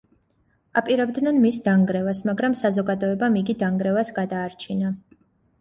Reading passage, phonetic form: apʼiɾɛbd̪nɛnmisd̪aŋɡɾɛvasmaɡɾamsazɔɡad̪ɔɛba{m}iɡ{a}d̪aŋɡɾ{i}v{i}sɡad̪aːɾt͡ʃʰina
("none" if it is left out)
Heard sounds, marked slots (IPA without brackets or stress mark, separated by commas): m, i, ɛ, a